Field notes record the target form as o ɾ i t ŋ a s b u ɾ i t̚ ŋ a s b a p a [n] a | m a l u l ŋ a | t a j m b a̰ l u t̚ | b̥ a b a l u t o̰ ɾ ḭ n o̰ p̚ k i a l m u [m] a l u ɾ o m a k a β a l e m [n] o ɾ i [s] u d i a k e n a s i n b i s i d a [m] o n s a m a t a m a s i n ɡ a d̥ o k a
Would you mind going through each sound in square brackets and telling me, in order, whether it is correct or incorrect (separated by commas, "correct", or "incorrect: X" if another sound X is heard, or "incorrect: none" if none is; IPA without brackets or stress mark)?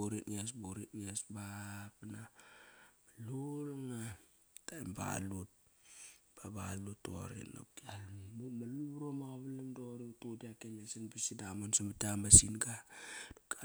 correct, correct, incorrect: d, incorrect: t, correct